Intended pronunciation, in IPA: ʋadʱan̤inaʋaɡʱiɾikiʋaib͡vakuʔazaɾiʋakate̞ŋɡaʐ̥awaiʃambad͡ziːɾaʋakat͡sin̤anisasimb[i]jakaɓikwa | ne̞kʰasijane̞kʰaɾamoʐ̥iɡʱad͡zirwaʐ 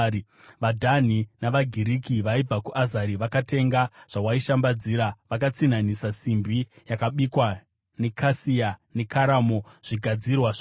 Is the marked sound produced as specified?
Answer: yes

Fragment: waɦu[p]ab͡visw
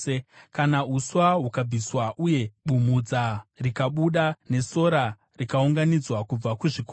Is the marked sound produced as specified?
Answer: no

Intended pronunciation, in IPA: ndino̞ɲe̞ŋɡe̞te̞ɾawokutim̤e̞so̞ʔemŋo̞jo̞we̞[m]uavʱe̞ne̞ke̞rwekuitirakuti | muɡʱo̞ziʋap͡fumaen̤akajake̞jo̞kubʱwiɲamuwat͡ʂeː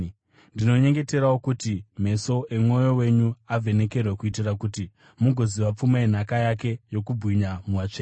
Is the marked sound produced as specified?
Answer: no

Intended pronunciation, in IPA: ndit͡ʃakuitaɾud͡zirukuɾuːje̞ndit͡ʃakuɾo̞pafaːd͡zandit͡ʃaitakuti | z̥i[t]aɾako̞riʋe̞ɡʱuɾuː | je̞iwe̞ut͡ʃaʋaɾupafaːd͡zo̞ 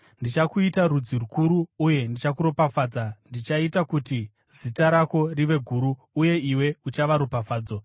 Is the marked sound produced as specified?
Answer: yes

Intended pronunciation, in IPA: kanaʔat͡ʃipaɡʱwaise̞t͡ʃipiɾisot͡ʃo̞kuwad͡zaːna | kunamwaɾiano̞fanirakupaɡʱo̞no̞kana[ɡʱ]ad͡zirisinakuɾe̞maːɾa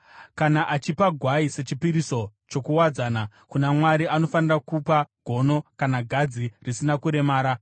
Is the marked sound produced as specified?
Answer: yes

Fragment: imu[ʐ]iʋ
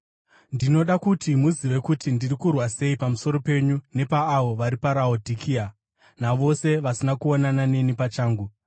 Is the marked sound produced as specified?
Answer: no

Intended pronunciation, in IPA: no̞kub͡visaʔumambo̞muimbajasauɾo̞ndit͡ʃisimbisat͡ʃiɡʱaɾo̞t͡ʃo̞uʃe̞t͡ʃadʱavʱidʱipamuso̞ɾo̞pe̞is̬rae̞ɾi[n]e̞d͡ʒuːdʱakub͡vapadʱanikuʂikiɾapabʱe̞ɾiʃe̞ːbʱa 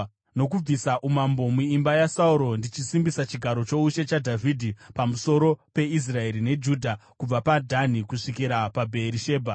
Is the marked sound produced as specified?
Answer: yes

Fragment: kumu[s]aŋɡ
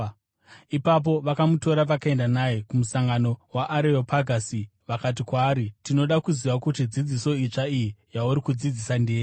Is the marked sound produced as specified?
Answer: yes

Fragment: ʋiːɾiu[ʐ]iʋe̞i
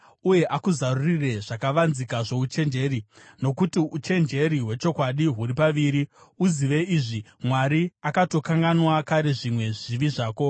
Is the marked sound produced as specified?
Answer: no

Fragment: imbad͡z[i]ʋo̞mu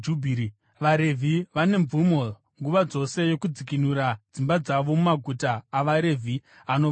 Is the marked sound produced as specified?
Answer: no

